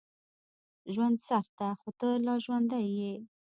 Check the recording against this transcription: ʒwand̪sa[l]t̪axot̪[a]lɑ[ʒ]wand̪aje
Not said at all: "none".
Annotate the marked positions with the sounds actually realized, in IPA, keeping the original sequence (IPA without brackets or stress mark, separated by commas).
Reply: ɾ, ə, ʒ